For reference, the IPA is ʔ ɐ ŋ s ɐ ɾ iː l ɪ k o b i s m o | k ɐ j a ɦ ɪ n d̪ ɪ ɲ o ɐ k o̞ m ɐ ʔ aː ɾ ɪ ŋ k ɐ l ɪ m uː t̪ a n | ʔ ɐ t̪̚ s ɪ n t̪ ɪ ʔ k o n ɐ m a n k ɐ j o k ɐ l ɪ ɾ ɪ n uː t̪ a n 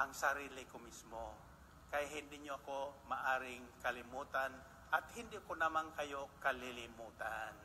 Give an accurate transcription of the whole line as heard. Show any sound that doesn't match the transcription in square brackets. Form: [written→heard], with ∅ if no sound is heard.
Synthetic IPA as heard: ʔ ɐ ŋ s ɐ ɾ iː l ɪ k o [b→m] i s m o | k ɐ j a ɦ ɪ n d̪ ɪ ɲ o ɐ k o̞ m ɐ ʔ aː ɾ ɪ ŋ k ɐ l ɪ m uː t̪ a n | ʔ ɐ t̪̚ [s→h] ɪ n [t̪→d̪] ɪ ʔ k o n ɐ m a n k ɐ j o k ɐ l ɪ [ɾ→l] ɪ [n→m] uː t̪ a n